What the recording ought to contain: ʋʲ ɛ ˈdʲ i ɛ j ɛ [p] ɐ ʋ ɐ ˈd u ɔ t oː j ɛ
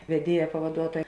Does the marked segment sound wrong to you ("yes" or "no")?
no